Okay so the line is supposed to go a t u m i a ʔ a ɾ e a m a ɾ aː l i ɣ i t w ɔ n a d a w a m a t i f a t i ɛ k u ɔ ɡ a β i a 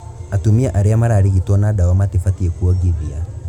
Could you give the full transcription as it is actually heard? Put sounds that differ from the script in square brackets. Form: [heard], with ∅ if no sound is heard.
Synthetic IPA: a t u m i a ʔ a ɾ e a m a ɾ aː [ɾ] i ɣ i t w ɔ n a d a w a m a t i f a t i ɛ k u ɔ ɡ [i] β i a

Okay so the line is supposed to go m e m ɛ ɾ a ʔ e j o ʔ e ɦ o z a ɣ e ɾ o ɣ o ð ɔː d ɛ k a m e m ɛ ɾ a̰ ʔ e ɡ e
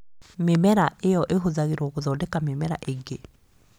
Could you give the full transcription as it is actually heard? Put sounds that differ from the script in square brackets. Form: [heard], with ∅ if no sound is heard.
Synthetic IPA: m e m ɛ ɾ a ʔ e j [ɔ] ʔ e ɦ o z a ɣ e ɾ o ɣ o ð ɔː d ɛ k a m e m ɛ ɾ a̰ ʔ e ɡ e

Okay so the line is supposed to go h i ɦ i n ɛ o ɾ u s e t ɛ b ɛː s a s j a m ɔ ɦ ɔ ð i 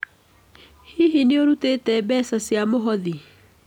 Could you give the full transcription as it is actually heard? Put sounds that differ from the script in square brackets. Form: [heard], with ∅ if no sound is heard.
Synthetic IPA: h i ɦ i n [e] o ɾ u [t] e t ɛ b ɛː s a s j a m [o] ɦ ɔ ð i

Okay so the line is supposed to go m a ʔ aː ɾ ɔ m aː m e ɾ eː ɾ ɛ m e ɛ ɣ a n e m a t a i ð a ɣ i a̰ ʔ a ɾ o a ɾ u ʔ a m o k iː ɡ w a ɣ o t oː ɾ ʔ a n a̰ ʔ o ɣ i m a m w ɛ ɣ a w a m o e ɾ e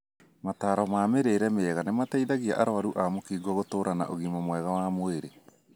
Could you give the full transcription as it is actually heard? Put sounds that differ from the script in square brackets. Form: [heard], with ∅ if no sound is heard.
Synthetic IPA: m a [t] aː ɾ ɔ m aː m e ɾ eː ɾ ɛ m e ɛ ɣ a n e m a t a i ð a ɣ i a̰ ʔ a ɾ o a ɾ u ʔ a m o k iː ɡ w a ɣ o t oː ɾ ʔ a n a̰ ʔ o ɣ i m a m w ɛ ɣ a w a m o e ɾ e

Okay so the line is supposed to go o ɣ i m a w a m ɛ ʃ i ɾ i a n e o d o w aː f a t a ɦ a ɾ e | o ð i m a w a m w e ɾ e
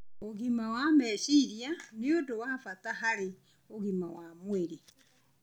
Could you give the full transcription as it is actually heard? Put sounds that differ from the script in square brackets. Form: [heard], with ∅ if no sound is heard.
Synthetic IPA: o ɣ i m a w a m ɛ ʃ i ɾ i a n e o d o w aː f a t a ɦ a ɾ e | o [ɣ] i m a w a m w e ɾ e

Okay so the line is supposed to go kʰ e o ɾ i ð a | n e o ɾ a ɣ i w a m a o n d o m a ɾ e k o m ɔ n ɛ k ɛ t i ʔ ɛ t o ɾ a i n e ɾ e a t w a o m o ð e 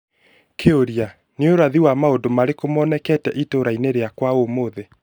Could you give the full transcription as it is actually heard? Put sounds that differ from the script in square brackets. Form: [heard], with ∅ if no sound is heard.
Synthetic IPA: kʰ e o ɾ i [∅] a | n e o ɾ a [ð] i w a m a o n d o m a ɾ e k o m ɔ n ɛ k ɛ t [ɛ] ʔ [i] t o ɾ a i n e ɾ e a [k] w a o m o ð e

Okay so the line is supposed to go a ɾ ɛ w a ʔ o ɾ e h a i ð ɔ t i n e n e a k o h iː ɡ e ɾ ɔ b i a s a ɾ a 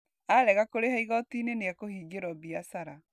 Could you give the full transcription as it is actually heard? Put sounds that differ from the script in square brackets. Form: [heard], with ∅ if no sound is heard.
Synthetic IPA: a ɾ ɛ [ɣ] a [k] o ɾ e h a i [ɣ] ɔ t i n e n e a k o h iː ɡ e ɾ ɔ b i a s a ɾ a

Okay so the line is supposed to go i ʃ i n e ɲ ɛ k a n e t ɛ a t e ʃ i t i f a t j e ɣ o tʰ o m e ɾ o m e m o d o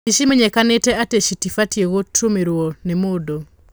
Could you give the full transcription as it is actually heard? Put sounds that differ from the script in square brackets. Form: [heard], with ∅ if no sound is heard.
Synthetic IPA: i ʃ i [m] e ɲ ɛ k a n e t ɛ a t e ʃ i t i f a t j e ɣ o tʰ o m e ɾ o [n] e m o d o

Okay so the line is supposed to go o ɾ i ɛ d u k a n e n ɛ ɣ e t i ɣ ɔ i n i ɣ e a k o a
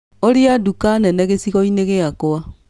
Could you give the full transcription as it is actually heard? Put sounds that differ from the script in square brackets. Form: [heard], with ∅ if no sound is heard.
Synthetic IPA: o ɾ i [a] d u k a n [ɛ] n ɛ ɣ e [s] i ɣ ɔ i n [e] ɣ e a k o a

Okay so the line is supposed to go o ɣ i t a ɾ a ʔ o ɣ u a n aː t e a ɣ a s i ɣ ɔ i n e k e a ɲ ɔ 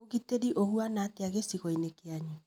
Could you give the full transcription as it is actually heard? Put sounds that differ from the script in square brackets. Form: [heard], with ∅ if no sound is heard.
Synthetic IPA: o ɣ i t [e] ɾ [i] ʔ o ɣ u a n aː t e a ɣ [e] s i ɣ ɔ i n e k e a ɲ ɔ

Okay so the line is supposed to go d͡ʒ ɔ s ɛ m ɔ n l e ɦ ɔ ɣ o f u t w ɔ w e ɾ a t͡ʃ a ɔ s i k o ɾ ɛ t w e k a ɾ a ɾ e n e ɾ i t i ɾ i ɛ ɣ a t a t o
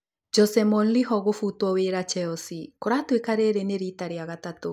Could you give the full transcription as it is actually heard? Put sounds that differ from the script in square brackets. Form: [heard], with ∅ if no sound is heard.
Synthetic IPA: d͡ʒ ɔ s ɛ m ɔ n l [i] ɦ ɔ ɣ o f u t w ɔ w e ɾ a t͡ʃ [ɛ] ɔ s i k o ɾ [a] t w e k a ɾ [e] ɾ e n e ɾ i t [a] ɾ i [a] ɣ a t a t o

